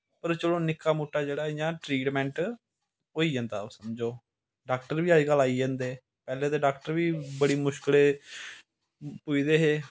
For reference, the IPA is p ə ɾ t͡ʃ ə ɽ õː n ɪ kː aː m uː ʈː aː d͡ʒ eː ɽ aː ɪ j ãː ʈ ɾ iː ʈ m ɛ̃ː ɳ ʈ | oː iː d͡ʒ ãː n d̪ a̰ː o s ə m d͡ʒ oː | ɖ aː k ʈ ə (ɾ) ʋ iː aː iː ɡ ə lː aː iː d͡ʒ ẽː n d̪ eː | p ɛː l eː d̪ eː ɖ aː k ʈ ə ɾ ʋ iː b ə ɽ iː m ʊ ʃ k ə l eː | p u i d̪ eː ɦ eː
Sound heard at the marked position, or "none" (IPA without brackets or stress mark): ɾ